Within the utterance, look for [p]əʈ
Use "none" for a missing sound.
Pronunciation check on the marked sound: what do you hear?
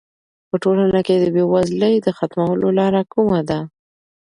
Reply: p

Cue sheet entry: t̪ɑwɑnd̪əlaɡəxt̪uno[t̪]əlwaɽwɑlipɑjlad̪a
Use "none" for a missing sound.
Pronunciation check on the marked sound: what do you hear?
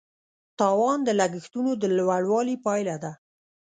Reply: d̪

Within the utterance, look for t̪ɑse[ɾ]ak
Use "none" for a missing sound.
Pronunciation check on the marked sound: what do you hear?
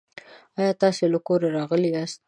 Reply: l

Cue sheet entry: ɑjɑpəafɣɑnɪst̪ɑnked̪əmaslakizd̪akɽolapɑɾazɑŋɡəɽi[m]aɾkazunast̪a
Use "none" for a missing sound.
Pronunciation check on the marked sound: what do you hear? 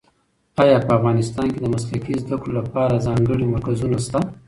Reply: m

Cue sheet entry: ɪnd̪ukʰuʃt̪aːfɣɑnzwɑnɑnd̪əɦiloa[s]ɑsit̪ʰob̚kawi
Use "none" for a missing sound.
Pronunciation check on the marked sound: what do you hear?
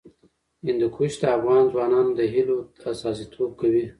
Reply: s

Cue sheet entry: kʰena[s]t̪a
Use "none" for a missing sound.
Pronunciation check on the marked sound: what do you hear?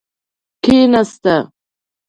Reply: s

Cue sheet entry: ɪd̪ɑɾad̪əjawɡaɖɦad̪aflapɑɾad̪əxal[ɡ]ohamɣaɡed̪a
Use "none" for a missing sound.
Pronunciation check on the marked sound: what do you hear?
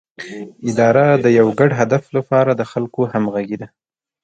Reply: k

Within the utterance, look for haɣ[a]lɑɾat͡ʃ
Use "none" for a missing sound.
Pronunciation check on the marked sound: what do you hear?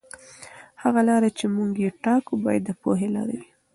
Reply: a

